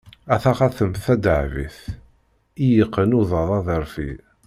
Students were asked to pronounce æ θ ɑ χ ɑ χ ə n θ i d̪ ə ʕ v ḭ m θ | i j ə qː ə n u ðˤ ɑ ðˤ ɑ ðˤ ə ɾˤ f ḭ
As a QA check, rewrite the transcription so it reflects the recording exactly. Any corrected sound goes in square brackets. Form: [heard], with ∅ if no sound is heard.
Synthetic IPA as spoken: æ θ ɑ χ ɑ [θ] ə [m] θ [æ] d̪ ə ʕ v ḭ [∅] θ | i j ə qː ə n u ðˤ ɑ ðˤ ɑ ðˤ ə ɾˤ f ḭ